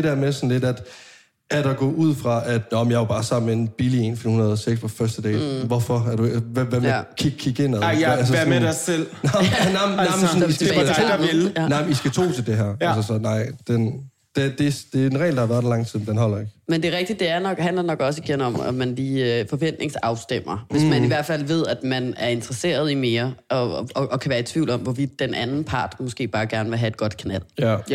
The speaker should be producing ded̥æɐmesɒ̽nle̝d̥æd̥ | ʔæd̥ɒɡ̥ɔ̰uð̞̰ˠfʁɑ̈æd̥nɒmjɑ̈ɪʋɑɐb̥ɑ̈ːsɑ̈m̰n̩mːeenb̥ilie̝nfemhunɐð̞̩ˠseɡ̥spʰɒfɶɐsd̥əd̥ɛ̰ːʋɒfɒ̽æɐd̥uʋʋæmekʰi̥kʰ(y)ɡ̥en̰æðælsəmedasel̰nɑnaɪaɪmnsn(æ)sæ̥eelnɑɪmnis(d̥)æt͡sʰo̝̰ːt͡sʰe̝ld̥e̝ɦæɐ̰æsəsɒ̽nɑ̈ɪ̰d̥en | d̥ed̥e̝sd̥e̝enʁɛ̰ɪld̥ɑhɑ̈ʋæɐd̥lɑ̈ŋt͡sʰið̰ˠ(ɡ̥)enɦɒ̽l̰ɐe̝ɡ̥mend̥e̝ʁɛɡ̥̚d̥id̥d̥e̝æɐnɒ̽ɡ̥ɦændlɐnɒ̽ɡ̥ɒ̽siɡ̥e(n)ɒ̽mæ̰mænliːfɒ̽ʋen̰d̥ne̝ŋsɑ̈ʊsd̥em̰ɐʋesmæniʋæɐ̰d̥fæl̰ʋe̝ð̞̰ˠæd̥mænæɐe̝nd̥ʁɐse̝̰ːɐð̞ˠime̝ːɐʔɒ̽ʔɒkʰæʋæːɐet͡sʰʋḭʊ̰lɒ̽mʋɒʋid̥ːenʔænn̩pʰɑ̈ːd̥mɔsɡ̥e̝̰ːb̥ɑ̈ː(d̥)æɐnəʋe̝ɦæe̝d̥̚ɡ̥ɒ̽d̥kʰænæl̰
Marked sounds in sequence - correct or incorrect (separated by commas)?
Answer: incorrect, incorrect, incorrect, incorrect, correct, incorrect